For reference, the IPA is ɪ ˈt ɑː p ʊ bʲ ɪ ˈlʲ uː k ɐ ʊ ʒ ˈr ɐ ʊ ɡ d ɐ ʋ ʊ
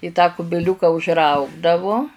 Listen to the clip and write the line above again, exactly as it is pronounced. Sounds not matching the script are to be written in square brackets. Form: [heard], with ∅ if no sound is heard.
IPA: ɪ ˈt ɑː [k] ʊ bʲ ɪ ˈlʲ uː k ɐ ʊ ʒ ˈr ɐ ʊ ɡ d ɐ ʋ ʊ